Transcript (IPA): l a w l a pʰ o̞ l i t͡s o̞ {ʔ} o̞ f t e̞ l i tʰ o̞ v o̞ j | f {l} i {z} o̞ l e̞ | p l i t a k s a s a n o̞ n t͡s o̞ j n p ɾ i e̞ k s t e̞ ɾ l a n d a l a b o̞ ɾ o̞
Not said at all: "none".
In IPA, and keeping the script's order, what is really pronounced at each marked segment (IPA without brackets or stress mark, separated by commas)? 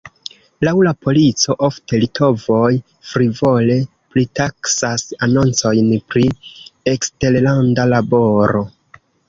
ʔ, ɾ, v